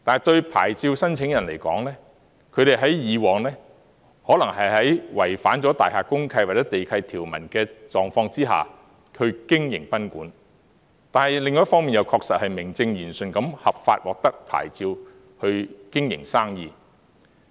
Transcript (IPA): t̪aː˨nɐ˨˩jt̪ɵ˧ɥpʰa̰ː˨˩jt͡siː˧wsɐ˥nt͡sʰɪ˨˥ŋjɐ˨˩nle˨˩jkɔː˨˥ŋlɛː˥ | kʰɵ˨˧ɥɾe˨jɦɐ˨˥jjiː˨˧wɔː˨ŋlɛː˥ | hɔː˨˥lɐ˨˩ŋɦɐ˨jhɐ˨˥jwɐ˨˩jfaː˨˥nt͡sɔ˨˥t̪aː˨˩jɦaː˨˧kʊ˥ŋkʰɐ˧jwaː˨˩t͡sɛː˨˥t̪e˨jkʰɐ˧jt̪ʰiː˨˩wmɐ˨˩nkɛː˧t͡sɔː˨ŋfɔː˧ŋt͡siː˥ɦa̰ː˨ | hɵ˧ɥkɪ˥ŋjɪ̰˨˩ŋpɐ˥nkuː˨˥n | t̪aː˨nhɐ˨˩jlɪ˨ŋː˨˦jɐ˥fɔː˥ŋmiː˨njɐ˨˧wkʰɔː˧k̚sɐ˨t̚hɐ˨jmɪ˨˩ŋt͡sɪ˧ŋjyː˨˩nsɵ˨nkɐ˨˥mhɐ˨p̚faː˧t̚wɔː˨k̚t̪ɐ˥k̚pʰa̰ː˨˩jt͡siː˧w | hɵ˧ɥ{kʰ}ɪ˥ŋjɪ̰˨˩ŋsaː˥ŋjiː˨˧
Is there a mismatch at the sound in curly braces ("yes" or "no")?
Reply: yes